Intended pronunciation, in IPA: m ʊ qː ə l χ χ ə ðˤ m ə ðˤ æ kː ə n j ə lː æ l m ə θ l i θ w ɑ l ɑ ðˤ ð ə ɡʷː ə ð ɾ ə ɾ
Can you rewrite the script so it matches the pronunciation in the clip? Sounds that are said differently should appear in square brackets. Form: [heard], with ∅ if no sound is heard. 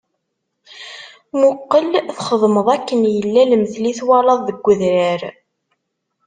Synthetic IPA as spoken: m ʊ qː ə l [θ] χ ə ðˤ m ə ðˤ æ kː ə n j ə lː æ l m ə θ l i θ w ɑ l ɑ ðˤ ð ə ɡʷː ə ð ɾ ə ɾ